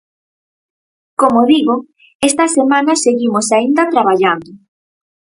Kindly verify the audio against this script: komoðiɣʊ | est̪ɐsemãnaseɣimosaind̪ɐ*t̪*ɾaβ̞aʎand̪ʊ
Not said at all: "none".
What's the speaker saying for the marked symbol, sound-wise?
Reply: t̪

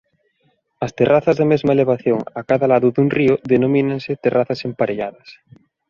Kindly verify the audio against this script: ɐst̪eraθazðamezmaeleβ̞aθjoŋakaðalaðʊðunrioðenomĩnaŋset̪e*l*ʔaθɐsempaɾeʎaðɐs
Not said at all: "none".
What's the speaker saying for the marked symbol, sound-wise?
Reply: r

